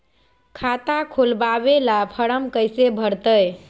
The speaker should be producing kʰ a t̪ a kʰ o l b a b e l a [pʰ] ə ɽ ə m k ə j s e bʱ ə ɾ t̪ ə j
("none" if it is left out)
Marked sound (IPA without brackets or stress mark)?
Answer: pʰ